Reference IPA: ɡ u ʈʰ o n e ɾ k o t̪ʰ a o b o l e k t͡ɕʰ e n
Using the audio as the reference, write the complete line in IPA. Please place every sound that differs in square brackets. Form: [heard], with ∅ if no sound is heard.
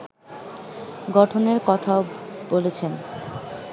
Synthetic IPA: ɡ [ɔ] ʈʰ o n e ɾ k [ɔ] t̪ʰ a o b o l e [∅] t͡ɕʰ e n